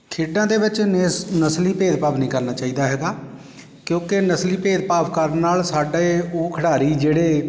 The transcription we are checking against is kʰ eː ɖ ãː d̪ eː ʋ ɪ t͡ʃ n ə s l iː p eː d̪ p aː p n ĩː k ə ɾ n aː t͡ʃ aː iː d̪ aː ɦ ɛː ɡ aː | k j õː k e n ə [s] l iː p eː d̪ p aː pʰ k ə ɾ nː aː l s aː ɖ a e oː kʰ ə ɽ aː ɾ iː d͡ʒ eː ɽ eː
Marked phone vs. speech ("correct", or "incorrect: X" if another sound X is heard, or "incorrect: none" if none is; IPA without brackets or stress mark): correct